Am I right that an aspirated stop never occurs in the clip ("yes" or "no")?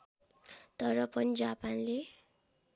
yes